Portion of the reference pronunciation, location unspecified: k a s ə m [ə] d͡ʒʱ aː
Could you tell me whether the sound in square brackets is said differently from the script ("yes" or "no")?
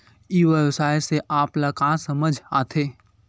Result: no